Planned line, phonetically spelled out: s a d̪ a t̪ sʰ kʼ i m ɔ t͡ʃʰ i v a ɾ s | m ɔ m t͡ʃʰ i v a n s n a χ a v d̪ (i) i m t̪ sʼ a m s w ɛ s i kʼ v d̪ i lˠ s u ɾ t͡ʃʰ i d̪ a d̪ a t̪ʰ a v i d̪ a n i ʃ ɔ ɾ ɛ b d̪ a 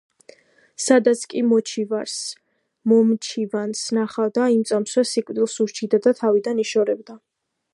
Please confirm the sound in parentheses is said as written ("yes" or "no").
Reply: no